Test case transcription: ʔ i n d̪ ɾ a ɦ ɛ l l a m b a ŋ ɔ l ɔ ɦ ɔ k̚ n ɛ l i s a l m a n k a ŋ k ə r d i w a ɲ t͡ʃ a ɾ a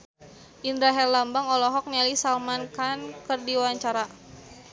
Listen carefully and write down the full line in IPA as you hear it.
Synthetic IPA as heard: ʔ i n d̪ ɾ a ɦ ɛ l l a m b a ŋ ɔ l ɔ ɦ ɔ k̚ n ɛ l i s a l m a n k a n k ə r d i w a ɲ t͡ʃ a ɾ a